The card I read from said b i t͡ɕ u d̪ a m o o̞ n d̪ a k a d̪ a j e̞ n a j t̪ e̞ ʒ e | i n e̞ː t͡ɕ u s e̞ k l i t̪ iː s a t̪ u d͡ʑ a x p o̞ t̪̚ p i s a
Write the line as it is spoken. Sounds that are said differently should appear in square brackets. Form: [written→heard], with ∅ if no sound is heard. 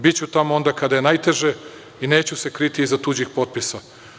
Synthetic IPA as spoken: b i t͡ɕ u [d̪→t̪] a m o o̞ n d̪ a k a d̪ a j e̞ n a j t̪ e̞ ʒ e | i n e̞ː t͡ɕ u s e̞ k [l→ɾ] i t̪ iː [s→z] a t̪ u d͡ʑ [a→i] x p o̞ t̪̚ p i s a